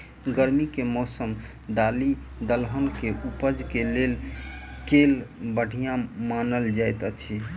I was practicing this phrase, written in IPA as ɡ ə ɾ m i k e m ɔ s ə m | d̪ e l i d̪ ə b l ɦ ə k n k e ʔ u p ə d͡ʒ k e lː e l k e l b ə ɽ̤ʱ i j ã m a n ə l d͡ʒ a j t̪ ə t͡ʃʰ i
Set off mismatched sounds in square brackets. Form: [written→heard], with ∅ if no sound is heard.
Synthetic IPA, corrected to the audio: ɡ ə ɾ m i k e m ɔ s ə m | d̪ [e→a] l i d̪ ə [b→∅] l ɦ ə [k→∅] n k e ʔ u p ə d͡ʒ k e [lː→l] e l k e l b ə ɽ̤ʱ i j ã m a n ə l d͡ʒ a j t̪ ə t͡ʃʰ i